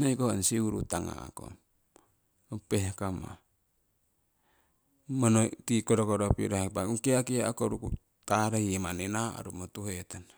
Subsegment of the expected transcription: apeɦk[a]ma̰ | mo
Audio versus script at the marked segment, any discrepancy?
no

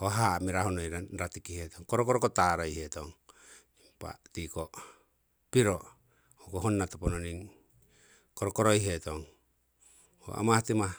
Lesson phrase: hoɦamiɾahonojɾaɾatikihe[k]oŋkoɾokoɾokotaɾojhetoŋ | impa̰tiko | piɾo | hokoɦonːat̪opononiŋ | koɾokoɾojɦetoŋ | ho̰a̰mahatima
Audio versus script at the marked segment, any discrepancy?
yes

